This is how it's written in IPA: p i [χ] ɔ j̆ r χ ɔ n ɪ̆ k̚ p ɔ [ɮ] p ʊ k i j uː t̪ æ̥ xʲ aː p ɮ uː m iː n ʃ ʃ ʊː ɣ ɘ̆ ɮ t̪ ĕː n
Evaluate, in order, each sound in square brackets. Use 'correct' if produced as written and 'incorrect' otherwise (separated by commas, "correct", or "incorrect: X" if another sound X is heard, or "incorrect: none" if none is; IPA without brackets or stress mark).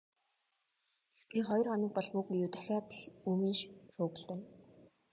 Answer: correct, correct